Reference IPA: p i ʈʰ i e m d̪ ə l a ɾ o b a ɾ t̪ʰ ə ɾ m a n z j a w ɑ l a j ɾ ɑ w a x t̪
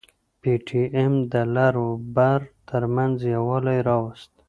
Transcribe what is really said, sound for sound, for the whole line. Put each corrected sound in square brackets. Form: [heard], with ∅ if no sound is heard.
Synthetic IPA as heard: p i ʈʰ i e m d̪ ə l a ɾ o b a ɾ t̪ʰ ə ɾ m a n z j a w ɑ l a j ɾ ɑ w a [s] t̪